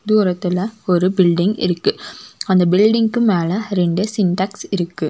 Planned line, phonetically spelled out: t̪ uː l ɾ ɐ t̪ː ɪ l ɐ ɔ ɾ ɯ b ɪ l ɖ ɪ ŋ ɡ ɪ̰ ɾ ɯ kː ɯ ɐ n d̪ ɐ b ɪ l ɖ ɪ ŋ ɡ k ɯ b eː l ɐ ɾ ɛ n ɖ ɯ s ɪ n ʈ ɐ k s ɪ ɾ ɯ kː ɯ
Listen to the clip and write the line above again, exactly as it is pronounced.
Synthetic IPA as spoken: d̪ uː ɾ ɐ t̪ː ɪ l ɐ ɔ ɾ ɯ b ɪ l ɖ ɪ ŋ ɡ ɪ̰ ɾ ɯ kː ɯ ɐ n d̪ ɐ b ɪ l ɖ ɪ ŋ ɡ k ɯ m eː l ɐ ɾ ɛ ɳ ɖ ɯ s ɪ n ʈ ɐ k s ɪ ɾ ɯ kː ɯ